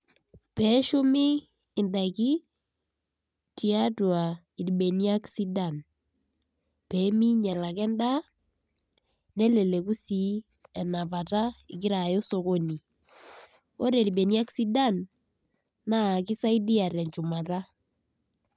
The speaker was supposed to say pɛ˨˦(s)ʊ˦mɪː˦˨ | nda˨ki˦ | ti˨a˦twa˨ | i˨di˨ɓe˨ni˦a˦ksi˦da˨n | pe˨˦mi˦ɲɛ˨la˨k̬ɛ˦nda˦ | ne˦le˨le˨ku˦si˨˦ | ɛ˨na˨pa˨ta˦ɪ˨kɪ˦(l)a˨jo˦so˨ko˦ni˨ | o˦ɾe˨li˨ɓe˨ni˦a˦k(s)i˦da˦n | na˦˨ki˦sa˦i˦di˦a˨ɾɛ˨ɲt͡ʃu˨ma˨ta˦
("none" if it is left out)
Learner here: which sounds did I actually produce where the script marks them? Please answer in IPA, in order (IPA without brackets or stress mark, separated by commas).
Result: ʃ, ɾ, s